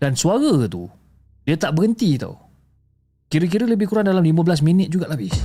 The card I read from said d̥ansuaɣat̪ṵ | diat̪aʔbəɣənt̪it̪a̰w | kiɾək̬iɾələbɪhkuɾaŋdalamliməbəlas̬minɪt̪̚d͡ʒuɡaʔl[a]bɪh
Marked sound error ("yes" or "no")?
no